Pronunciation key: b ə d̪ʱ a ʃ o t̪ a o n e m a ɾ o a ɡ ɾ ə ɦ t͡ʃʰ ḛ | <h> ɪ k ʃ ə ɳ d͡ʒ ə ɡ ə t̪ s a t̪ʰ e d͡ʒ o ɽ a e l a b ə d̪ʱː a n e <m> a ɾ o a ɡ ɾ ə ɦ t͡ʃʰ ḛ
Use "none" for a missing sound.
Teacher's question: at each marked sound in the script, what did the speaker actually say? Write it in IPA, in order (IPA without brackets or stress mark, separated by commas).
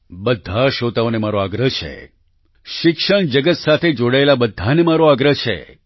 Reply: ʃ, m